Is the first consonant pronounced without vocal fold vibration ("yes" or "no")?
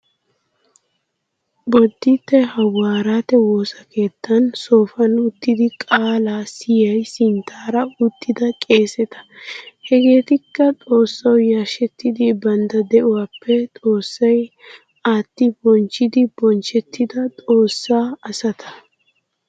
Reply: no